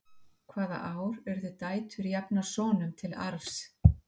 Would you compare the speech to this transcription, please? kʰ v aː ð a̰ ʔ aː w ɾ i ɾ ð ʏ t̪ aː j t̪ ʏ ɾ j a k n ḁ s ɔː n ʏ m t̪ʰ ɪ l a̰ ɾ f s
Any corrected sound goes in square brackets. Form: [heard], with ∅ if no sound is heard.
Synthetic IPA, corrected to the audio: kʰ v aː ð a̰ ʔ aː w ɾ [ɛ] ɾ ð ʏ t̪ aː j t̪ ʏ ɾ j a [p] n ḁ s ɔː n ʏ m t̪ʰ ɪ l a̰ ɾ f s